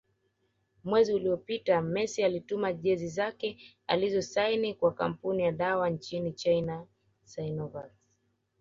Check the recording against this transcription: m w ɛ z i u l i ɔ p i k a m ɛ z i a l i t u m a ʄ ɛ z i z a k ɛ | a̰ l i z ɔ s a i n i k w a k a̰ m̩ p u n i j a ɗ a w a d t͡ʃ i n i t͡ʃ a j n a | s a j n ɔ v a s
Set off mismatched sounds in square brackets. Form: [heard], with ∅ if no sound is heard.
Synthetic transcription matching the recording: m w ɛ z i u l i ɔ p i [t] a m ɛ [s] i a l i t u m a ʄ ɛ z i z a k ɛ | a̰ l i z ɔ s a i n i k w a k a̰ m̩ p u n i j a ɗ a w a [n] t͡ʃ i n i t͡ʃ a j n a | s a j n ɔ v a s